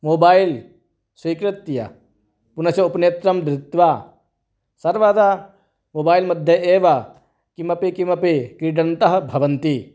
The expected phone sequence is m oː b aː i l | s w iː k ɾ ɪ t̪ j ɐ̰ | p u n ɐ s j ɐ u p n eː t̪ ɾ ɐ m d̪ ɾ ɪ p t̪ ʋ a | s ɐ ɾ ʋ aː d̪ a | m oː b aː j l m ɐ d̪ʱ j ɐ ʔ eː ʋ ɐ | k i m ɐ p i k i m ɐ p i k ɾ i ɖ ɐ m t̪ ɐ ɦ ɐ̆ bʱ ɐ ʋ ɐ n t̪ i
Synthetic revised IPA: m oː b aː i l | s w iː k ɾ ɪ t̪ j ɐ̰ | p u n ɐ s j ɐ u p n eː t̪ ɾ ɐ m d̪ ɾ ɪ t̪ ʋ a | s ɐ ɾ ʋ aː d̪ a | m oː b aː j l m ɐ d̪ʱ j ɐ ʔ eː ʋ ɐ | k i m ɐ p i k i m ɐ p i k ɾ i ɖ ɐ n t̪ ɐ ɦ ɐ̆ bʱ ɐ ʋ ɐ n t̪ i